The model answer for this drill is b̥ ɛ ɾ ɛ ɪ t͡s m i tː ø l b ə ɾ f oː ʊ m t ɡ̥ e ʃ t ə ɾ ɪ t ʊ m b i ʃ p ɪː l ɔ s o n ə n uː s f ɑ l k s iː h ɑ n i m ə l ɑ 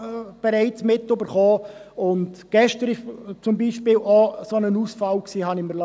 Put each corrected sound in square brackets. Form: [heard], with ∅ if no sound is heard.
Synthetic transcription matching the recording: b̥ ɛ ɾ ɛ ɪ t͡s m [ɪ] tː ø [∅] b ə ɾ [χ] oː ʊ [n] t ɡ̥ [ɛ] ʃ t ə ɾ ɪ [t͡s] ʊ m b i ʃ p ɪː l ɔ s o n ə n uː s f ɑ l k s iː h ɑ n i m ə l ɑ